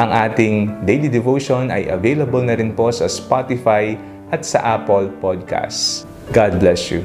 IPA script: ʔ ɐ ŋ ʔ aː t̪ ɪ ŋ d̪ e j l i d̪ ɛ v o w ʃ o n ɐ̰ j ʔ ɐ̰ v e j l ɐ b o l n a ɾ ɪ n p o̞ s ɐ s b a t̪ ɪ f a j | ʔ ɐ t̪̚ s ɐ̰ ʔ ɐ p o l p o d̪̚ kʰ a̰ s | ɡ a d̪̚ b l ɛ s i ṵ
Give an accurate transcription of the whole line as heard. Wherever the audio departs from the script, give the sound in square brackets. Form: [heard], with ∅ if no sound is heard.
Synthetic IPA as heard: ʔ ɐ ŋ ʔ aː t̪ ɪ ŋ d̪ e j l i d̪ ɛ v o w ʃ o n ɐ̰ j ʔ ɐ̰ v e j l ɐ b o l n [ɐ] ɾ ɪ n p o̞ s ɐ s [p] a t̪ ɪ f a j | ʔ ɐ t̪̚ s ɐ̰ ʔ [a] p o l p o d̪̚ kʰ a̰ s | ɡ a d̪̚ b l ɛ s [j] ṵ